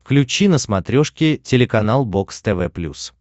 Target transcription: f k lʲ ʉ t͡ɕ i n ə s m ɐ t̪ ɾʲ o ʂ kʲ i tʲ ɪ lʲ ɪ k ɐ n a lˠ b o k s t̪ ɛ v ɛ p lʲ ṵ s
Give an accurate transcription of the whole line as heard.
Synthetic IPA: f k lʲ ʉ t͡ɕ i n ə s m ɐ t̪ ɾʲ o ʂ kʲ ɪ tʲ ɪ lʲ ɪ k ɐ n a lˠ b o k s t̪ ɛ v ɛ p lʲ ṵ s